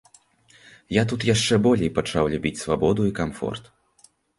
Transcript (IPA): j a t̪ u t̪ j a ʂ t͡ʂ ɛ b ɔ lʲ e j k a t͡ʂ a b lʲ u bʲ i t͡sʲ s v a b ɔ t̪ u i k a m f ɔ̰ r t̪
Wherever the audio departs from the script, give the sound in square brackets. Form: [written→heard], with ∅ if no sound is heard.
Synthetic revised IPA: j a t̪ u t̪ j a ʂ t͡ʂ ɛ b ɔ lʲ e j [k→p] a t͡ʂ a [b→w] lʲ u bʲ i t͡sʲ s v a b ɔ [t̪→d̪] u i k a m f ɔ̰ r t̪